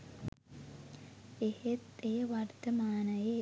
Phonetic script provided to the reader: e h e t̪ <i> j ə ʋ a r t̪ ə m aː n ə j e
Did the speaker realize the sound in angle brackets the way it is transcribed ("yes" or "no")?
no